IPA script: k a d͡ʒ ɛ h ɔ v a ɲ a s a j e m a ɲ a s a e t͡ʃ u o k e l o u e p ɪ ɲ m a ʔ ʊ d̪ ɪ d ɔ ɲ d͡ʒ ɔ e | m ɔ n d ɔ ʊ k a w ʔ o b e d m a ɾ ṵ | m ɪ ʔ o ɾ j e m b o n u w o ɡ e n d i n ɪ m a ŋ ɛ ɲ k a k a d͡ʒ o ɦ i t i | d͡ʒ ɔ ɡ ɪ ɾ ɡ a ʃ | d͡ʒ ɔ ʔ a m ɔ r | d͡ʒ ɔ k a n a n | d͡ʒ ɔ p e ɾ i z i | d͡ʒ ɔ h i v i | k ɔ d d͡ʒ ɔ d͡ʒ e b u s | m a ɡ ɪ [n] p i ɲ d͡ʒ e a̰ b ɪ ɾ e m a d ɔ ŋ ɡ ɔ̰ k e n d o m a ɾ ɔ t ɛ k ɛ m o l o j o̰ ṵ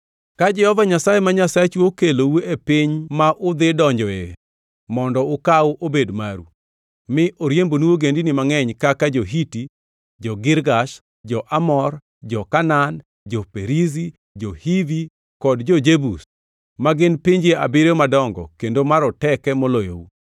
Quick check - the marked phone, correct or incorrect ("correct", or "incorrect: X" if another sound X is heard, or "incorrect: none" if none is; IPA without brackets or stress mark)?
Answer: correct